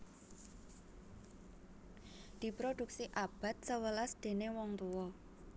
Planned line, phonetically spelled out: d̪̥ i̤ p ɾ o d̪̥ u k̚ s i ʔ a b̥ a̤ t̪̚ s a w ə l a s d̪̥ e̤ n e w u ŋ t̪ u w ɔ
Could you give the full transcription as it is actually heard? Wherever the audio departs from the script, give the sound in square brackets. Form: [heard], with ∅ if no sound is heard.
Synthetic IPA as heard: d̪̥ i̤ p ɾ o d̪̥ u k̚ s i ʔ a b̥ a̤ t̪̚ s [ə] w ə l a s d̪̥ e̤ n e w [ɔ] ŋ t̪ u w ɔ

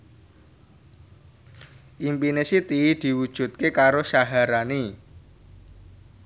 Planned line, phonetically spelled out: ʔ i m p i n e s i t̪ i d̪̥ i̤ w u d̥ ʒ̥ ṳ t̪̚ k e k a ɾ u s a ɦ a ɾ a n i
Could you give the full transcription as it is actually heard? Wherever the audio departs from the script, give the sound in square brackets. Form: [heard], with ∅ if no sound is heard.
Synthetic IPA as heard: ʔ i m p i n e s i t̪ i d̪̥ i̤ w u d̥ ʒ̥ ṳ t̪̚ k e k a ɾ [o] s a ɦ a ɾ a n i

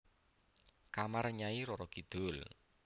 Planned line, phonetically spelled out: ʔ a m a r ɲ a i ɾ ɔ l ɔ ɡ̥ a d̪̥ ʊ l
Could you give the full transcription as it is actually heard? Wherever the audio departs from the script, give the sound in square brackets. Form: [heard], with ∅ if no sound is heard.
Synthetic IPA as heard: [k] a m a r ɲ a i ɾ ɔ [ɾ] ɔ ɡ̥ [i] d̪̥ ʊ l

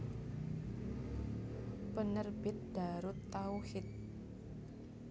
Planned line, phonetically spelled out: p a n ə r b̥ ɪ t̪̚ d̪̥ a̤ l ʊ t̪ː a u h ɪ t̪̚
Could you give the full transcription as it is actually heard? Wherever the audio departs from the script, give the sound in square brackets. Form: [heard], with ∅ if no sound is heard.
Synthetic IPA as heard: p [ə] n ə r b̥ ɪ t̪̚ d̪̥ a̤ [ɾ] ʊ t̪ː a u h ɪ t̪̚

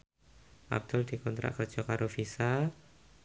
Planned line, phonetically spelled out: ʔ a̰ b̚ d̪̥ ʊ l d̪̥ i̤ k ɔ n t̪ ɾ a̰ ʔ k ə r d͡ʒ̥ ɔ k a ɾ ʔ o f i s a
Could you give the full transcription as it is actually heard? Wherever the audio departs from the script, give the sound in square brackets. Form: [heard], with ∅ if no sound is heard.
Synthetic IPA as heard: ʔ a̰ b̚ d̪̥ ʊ l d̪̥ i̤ k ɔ n t̪ ɾ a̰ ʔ k ə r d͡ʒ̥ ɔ k a ɾ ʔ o f i s a

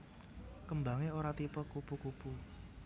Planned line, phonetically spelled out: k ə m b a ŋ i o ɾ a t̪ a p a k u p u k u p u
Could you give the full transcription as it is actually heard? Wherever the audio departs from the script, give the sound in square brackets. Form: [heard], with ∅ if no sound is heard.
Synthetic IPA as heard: k ə m b a ŋ [e] o ɾ a t̪ [i] p [ə] k u p u k u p u

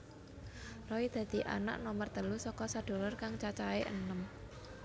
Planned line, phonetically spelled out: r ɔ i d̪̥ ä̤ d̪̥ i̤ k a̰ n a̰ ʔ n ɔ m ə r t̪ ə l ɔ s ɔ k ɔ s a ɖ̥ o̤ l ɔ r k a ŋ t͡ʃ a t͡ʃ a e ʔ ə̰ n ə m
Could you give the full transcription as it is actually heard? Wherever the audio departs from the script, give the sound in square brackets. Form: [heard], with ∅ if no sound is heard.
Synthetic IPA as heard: r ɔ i d̪̥ ä̤ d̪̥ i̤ [ʔ] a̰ n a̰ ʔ n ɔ m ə r t̪ ə l [u] s ɔ k ɔ s a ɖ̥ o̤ l ɔ r k a ŋ t͡ʃ a t͡ʃ a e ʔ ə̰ n ə m

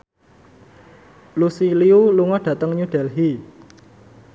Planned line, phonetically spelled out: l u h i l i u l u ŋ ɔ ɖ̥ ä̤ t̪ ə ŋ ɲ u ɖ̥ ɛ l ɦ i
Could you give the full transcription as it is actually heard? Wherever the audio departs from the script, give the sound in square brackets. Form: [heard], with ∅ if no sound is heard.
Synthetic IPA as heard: l u [s] i l i u l u ŋ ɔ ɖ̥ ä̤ t̪ ə ŋ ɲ u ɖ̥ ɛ l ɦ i

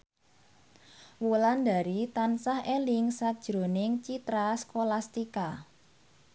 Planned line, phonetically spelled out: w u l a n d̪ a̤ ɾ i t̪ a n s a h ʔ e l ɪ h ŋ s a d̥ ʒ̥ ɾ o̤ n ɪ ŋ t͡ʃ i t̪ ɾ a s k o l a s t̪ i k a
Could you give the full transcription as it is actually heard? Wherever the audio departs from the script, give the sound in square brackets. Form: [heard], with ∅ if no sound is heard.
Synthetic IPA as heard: w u l a n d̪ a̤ ɾ i t̪ a n s a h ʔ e l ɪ [∅] ŋ s a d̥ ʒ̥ ɾ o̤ n ɪ ŋ t͡ʃ i t̪ ɾ a s k o l a s t̪ i k a

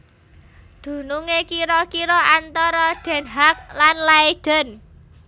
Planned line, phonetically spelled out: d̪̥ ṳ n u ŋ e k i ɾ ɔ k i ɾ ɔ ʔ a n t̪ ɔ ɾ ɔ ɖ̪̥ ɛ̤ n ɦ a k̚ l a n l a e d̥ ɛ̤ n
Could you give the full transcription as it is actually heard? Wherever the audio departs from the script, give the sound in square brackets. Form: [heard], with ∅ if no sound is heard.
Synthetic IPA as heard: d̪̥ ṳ n u ŋ e k i ɾ ɔ k i ɾ ɔ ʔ a n t̪ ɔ ɾ ɔ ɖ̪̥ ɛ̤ n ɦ a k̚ l a n l a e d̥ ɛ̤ n

